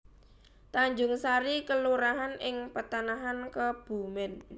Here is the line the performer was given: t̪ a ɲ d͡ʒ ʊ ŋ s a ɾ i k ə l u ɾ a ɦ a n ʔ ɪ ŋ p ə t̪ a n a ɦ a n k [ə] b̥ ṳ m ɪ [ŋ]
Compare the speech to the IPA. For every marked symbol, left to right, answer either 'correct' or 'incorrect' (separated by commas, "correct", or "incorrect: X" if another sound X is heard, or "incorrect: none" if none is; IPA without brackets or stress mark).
correct, incorrect: n